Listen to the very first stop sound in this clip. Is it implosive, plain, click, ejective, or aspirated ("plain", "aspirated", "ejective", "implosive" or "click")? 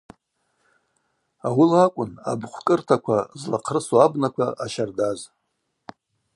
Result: ejective